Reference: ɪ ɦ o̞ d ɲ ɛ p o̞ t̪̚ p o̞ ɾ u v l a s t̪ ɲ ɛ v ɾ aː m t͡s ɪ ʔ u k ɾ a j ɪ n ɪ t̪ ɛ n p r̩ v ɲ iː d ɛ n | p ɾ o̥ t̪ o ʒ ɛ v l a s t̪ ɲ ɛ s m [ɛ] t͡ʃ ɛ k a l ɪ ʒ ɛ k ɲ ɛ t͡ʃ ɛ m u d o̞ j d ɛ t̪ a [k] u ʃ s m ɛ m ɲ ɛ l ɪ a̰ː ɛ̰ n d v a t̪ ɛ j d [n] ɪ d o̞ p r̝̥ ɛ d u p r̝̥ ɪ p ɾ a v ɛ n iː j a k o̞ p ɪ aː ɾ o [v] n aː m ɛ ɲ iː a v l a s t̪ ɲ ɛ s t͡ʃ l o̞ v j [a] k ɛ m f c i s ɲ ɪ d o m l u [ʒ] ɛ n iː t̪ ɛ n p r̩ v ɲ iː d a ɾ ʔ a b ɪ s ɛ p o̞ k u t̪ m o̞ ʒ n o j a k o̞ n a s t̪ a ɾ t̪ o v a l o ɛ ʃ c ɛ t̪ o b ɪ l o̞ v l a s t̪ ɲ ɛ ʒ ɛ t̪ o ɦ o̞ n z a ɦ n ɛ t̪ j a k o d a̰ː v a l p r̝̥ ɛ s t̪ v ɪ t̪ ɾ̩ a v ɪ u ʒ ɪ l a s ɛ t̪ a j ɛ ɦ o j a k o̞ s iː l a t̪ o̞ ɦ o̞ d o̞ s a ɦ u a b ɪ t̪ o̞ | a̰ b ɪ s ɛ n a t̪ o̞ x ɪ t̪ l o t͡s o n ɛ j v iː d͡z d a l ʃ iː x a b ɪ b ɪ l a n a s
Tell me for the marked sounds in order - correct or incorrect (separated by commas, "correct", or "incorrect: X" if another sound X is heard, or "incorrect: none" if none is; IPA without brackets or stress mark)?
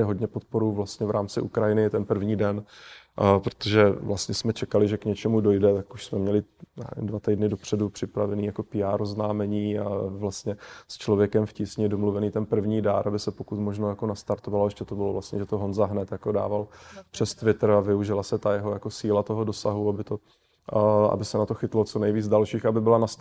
correct, correct, correct, incorrect: z, incorrect: ɛ, incorrect: v